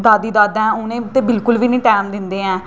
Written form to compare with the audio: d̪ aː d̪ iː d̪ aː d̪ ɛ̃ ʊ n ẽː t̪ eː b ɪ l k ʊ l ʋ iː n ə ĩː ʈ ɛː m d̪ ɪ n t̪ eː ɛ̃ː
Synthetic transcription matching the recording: d̪ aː d̪ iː d̪ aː d̪ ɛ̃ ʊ n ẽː t̪ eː b ɪ l k ʊ l ʋ iː n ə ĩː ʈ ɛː m d̪ ɪ n d̪ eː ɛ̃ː